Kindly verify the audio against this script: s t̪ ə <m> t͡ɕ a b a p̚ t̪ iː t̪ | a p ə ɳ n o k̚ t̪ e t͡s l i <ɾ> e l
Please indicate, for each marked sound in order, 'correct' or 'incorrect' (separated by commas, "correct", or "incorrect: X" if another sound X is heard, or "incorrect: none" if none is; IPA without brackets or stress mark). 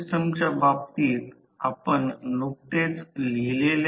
correct, incorrect: l